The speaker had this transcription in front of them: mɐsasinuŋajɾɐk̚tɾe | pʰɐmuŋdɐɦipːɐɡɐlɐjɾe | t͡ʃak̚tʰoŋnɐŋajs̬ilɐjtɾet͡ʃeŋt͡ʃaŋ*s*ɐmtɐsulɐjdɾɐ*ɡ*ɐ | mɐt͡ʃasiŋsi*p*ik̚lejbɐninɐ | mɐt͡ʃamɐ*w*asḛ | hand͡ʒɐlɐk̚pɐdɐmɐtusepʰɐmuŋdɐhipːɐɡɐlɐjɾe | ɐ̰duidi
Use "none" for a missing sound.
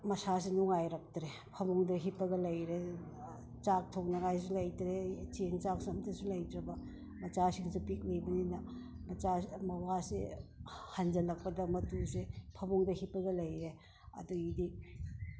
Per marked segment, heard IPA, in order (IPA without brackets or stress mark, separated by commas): s, b, p, w